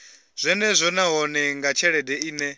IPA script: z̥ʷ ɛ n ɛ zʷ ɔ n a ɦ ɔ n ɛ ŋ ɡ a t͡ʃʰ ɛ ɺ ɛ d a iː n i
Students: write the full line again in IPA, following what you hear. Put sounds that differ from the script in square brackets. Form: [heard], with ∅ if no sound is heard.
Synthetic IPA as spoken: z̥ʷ ɛ n ɛ zʷ ɔ n a ɦ ɔ n ɛ ŋ ɡ a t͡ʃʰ ɛ ɺ ɛ d [ɛ] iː n [ɛ]